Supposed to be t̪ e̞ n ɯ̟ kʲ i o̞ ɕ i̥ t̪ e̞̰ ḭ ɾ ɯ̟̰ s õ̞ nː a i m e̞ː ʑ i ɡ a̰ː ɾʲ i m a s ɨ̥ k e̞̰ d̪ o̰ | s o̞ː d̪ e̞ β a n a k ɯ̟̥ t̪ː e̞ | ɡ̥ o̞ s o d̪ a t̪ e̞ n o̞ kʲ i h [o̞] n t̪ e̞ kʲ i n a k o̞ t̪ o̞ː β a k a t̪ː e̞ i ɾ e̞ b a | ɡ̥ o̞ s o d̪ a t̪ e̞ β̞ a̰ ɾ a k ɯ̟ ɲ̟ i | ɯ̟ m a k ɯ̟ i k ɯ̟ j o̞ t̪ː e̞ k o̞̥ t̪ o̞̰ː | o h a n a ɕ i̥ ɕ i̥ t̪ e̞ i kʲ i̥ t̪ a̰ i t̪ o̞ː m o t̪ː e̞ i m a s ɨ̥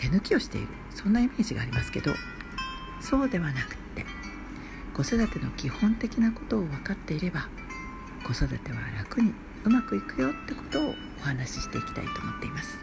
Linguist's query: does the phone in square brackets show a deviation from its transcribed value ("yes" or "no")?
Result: yes